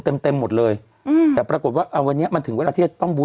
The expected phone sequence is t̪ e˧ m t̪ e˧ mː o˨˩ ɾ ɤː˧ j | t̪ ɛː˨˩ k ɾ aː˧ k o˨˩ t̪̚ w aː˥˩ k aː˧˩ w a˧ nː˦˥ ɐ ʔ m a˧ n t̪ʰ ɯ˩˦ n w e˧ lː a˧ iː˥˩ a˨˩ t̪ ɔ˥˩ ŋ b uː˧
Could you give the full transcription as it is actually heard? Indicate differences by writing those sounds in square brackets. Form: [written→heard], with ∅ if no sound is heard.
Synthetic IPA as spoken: t̪ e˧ m t̪ e˧ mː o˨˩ [ɾ→l] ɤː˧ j | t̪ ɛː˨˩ [k→p] ɾ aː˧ k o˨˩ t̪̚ w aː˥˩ [k→ʔ] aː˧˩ w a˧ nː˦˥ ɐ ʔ m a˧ n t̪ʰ ɯ˩˦ [n→ŋ] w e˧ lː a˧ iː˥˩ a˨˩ t̪ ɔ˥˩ ŋ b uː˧